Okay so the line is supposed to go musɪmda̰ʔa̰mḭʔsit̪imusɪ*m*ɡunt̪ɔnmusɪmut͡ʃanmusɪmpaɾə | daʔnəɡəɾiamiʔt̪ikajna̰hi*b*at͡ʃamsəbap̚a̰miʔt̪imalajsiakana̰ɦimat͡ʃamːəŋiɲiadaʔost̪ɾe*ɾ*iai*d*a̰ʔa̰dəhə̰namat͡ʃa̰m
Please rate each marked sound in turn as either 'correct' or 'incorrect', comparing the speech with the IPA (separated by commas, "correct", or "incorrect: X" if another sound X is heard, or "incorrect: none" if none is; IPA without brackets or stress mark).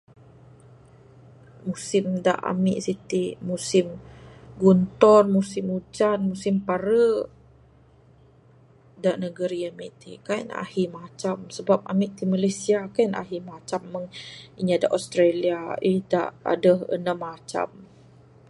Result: correct, incorrect: m, incorrect: l, correct